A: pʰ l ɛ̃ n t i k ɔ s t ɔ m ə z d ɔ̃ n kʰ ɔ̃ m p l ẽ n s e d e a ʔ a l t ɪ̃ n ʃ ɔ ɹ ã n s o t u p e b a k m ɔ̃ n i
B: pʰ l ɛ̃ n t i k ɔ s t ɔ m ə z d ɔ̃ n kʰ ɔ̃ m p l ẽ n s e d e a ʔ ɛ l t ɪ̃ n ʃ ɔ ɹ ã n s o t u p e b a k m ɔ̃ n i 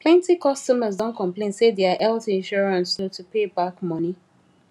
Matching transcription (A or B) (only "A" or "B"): B